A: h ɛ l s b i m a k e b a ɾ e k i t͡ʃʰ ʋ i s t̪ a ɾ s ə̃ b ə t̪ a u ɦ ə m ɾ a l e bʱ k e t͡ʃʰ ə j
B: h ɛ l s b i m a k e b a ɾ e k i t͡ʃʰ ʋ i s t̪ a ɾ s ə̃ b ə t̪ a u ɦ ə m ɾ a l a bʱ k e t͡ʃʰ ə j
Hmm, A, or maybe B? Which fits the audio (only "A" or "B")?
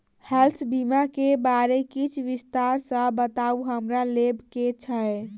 A